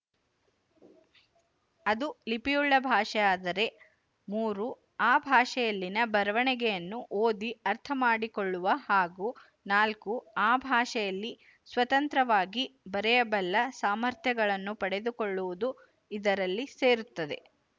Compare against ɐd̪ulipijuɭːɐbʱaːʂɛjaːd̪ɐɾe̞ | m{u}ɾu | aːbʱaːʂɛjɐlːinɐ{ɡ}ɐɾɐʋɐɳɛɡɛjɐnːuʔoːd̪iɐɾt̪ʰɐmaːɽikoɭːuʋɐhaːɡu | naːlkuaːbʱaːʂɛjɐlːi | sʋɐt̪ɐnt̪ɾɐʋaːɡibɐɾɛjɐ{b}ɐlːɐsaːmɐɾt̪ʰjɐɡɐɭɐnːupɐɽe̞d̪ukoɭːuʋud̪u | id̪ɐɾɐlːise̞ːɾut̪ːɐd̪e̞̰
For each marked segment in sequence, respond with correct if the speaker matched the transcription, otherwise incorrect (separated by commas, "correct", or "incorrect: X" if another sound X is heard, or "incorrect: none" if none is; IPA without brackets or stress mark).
incorrect: uː, incorrect: b, correct